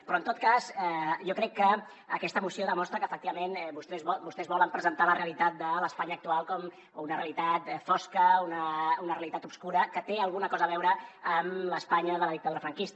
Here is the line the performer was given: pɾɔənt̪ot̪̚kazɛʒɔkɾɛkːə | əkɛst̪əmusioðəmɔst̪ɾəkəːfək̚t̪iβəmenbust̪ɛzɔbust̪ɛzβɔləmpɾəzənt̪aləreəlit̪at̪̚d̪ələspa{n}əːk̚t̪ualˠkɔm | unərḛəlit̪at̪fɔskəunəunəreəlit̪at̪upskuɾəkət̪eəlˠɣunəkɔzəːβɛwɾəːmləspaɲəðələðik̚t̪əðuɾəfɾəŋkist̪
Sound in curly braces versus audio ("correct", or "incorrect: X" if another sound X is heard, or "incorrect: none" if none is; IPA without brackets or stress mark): incorrect: ɲ